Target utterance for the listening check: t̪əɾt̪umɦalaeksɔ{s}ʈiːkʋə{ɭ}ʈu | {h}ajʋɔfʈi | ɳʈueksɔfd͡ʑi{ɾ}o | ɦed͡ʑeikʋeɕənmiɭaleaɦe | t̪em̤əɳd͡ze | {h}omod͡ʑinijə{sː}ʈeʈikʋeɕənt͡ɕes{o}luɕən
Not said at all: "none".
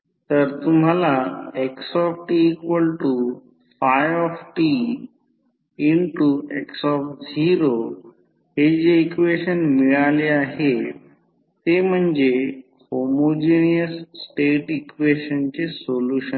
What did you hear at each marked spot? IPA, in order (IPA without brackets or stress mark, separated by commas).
f, l, f, ɾ, h, sː, o